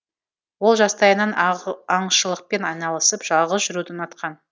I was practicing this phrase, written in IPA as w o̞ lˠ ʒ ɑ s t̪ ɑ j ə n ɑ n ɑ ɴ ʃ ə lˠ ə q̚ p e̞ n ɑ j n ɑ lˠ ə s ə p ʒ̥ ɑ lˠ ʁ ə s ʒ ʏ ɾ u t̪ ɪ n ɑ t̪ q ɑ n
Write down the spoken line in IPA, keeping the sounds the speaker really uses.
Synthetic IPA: w o̞ lˠ ʒ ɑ s t̪ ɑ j ə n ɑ n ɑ ɴ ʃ ə lˠ ə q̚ p e̞ n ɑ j n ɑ lˠ ə s ə p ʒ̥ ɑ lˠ ʁ ə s ʒ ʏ ɾ u d̪ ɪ n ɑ t̪ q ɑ n